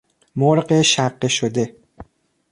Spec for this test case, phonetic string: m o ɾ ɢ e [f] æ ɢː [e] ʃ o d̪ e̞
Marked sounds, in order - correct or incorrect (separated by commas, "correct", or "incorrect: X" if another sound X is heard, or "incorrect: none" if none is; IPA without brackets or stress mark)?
incorrect: ʃ, correct